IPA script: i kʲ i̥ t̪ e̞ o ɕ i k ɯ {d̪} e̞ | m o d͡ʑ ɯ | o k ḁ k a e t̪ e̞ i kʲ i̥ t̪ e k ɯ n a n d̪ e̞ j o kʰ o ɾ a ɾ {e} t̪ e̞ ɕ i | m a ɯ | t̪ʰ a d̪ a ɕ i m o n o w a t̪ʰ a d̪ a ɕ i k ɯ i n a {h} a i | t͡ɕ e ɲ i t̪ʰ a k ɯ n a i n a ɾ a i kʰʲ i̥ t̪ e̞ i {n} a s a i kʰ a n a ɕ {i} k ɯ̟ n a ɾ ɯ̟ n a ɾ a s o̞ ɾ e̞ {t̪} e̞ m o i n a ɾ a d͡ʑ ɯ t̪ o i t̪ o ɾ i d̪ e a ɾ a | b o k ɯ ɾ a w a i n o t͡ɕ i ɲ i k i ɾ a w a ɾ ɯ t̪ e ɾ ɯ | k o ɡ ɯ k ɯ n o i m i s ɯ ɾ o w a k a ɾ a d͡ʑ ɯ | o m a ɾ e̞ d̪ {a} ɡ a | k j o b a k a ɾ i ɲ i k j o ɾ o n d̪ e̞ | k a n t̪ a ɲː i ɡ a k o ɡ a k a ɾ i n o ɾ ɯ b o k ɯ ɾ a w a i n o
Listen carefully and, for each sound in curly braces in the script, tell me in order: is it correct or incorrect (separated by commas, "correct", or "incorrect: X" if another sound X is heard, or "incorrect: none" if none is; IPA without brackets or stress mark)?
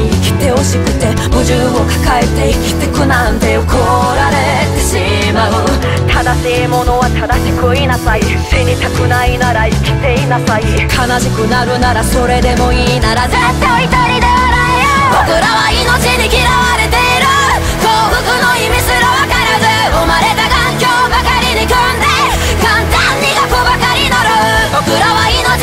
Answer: incorrect: t̪, correct, incorrect: s, correct, correct, incorrect: d̪, correct